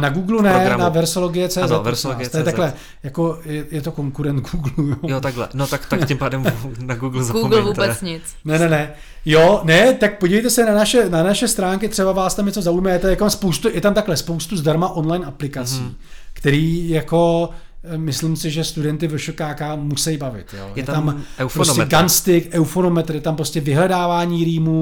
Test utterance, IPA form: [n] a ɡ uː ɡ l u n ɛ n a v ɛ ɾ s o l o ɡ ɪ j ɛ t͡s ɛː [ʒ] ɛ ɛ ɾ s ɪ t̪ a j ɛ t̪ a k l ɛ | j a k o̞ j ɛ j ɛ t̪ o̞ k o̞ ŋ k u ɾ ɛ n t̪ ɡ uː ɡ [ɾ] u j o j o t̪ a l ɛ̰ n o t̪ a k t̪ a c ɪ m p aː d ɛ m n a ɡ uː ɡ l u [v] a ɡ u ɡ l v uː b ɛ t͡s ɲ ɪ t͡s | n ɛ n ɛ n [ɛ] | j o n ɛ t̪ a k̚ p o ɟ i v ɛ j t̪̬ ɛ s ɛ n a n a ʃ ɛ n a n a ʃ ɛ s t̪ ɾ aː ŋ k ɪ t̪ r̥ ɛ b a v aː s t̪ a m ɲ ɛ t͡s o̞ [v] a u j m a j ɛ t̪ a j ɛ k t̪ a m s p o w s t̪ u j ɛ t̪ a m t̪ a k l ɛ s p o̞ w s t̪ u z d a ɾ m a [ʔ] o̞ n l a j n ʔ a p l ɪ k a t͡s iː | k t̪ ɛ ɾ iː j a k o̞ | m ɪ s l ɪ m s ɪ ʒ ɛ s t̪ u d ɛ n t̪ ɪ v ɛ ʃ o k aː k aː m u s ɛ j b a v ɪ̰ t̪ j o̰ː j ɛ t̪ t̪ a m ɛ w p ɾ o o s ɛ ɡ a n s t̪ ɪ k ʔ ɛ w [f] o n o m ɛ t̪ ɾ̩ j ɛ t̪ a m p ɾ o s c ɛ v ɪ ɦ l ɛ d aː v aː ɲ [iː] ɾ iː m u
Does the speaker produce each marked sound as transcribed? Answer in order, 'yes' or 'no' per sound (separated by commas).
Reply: yes, no, no, no, yes, no, yes, yes, yes